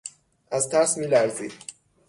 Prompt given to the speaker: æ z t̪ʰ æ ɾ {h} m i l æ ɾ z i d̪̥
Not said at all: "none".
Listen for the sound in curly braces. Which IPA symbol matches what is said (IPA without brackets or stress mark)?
s